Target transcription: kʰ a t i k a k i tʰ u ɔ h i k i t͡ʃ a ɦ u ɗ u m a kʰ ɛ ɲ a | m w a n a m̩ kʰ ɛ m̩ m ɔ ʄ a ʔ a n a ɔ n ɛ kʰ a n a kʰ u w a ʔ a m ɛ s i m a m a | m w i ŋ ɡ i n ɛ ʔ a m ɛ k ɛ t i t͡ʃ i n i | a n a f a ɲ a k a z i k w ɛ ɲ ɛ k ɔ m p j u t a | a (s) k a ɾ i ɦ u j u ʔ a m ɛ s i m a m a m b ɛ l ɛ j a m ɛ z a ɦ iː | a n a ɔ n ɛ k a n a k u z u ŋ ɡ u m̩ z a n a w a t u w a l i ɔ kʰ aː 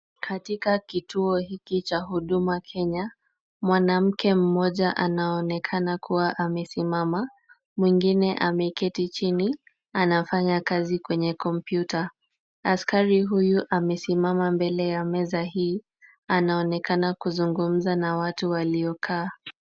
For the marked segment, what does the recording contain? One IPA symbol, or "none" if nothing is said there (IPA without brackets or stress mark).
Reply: s